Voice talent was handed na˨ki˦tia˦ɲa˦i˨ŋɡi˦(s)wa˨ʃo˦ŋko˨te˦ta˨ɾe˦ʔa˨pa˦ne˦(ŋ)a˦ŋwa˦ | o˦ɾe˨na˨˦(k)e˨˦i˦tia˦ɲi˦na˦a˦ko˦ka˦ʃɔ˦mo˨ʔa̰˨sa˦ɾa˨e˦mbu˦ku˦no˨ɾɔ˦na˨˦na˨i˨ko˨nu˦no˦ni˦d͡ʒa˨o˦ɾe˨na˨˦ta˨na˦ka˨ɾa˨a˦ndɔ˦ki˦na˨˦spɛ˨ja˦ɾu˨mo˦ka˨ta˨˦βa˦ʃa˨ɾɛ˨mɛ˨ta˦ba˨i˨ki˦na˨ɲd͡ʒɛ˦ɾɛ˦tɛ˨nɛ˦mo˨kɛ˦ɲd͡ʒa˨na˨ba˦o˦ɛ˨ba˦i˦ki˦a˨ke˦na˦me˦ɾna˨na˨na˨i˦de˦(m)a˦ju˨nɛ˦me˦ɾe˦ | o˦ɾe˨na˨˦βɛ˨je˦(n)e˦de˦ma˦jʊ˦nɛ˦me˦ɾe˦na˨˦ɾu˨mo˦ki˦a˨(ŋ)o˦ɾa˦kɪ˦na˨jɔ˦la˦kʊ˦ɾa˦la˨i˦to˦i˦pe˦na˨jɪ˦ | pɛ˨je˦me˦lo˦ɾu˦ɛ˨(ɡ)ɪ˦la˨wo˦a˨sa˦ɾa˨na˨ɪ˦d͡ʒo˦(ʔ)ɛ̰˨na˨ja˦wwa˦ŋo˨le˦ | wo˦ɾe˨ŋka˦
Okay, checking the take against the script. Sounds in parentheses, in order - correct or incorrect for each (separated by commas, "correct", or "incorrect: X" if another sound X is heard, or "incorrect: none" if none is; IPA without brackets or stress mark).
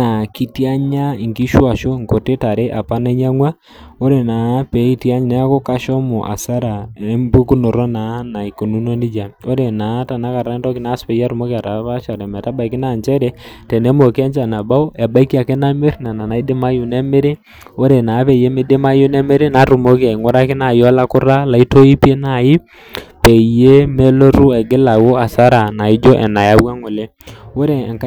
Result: incorrect: ʃ, incorrect: ɲ, incorrect: p, correct, incorrect: m, correct, correct, correct